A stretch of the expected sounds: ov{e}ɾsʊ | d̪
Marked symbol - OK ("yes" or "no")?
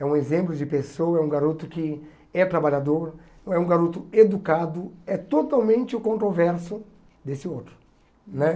no